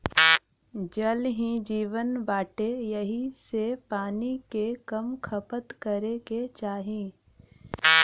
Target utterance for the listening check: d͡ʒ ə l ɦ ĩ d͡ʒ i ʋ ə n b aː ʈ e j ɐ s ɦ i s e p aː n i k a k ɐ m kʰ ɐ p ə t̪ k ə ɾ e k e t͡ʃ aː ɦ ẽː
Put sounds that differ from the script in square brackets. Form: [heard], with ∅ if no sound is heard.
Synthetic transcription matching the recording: d͡ʒ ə l ɦ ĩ d͡ʒ [iː] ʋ ə n b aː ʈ e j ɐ [∅] ɦ i s e p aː n i k [e] k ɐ m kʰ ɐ p ə t̪ k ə ɾ e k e t͡ʃ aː ɦ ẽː

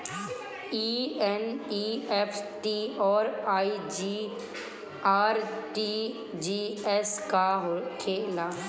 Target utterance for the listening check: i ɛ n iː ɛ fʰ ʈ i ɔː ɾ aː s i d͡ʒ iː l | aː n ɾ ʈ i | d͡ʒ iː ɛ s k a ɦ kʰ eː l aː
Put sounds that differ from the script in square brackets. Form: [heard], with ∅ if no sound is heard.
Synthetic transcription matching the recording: i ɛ n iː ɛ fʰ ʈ i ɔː ɾ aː [∅] i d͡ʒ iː [∅] | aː [∅] ɾ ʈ i | d͡ʒ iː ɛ s k a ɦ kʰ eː l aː

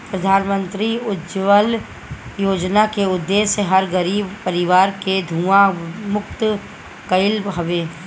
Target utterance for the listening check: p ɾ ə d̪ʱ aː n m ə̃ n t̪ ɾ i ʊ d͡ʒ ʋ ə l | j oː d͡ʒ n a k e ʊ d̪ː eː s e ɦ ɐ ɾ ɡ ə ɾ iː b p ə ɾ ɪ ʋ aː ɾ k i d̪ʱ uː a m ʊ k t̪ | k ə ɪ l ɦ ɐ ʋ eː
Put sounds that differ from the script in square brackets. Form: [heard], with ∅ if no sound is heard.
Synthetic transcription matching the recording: p ɾ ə d̪ʱ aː n m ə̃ n t̪ ɾ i ʊ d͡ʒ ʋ ə l | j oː d͡ʒ n a k e ʊ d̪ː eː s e ɦ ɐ ɾ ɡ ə ɾ iː b p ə ɾ ɪ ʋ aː ɾ k [e] d̪ʱ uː a m ʊ k t̪ | k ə ɪ l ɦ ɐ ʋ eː

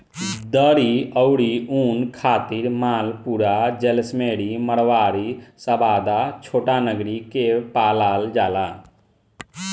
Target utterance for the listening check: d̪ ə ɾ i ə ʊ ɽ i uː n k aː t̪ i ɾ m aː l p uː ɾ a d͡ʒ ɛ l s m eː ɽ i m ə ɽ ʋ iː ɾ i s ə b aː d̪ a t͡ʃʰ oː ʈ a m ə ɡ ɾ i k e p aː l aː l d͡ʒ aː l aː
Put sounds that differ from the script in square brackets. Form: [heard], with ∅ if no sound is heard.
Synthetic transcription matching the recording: d̪ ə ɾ i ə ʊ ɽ i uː n [kʰ] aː t̪ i ɾ m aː l p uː ɾ a d͡ʒ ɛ l s m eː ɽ i m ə ɽ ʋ [aː] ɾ i s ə b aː d̪ a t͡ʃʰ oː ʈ a [n] ə ɡ ɾ i k e p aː l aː l d͡ʒ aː l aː

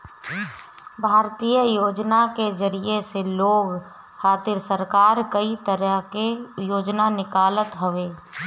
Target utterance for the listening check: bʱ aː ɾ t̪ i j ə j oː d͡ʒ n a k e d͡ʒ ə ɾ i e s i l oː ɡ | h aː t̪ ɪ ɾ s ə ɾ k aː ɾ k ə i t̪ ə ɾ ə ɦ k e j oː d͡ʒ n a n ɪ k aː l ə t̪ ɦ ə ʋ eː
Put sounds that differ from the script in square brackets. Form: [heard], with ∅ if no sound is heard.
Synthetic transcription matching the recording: bʱ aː ɾ t̪ i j ə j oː d͡ʒ n a k e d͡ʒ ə ɾ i e s [e] l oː ɡ | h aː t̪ ɪ ɾ s ə ɾ k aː ɾ k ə i t̪ ə ɾ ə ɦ k e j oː d͡ʒ n a n ɪ k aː l ə t̪ ɦ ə ʋ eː

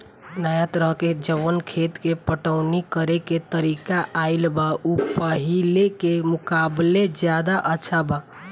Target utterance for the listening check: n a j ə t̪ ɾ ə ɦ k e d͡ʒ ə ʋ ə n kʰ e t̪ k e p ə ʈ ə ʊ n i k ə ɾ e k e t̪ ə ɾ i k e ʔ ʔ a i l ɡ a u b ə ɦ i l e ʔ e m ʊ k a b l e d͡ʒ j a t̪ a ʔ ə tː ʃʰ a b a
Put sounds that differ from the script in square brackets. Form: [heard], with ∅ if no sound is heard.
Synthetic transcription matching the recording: n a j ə t̪ ɾ ə ɦ k e d͡ʒ ə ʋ ə n kʰ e t̪ k e p ə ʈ ə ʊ n i k ə ɾ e k e t̪ ə ɾ i k [a] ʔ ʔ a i l [b] a u [p] ə ɦ i l e [k] e m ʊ k a b l e d͡ʒ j a [d̪] a ʔ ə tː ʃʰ a b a

